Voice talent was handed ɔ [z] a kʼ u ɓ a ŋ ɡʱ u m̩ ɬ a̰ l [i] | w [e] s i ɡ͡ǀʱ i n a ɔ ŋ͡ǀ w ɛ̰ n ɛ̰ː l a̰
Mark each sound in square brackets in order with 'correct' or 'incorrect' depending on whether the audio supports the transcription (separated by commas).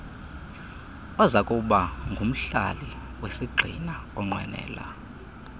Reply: correct, correct, correct